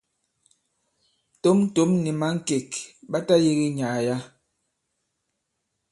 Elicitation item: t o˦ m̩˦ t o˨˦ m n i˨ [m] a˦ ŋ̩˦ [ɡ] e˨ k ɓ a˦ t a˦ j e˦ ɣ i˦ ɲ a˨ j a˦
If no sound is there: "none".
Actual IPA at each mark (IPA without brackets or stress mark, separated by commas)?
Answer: m, k